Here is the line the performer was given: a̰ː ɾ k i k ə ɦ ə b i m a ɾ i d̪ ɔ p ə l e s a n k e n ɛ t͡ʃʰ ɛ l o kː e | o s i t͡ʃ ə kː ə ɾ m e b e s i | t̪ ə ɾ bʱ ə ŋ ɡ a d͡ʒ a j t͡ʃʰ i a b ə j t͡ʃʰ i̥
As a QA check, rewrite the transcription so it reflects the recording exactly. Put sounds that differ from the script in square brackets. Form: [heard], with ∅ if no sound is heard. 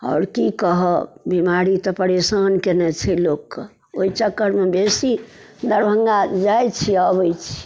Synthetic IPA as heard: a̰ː ɾ k i k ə ɦ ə b i m a ɾ i [t̪] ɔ p ə [ɾ] e s a n k e n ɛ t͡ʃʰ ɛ l o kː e | o [∅] i t͡ʃ ə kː ə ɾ m e b e s i | [d̪] ə ɾ bʱ ə ŋ ɡ a d͡ʒ a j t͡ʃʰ i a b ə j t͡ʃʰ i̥